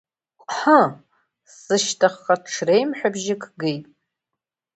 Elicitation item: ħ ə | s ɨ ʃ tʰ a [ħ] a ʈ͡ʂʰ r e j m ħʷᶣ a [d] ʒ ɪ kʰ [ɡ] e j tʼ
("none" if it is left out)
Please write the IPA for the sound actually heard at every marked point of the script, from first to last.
χ, b, ɡ

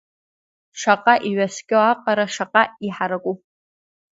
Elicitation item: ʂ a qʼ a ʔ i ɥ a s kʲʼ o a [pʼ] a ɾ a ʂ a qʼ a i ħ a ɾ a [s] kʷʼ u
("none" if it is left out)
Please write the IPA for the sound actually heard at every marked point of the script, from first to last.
qʼ, none

